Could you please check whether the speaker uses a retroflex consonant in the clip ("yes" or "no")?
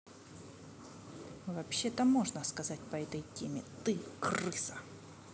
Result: yes